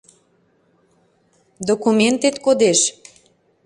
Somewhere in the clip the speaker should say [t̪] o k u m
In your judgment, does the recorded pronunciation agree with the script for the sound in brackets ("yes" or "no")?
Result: no